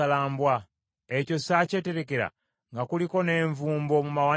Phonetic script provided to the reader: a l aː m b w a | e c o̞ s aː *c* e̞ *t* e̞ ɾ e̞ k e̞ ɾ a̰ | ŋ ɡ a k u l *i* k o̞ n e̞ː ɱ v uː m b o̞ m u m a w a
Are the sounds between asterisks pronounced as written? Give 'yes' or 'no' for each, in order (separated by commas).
yes, yes, yes